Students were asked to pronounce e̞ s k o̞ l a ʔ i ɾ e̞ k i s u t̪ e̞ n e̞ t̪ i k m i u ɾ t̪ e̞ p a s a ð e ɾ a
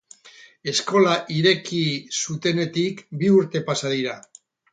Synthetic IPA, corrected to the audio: e̞ s k o̞ l a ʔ i ɾ e̞ k i s u t̪ e̞ n e̞ t̪ i k b i u ɾ t̪ e̞ p a s a ð i ɾ a